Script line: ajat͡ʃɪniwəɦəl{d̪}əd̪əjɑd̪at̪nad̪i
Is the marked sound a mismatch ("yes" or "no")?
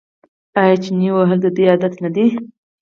no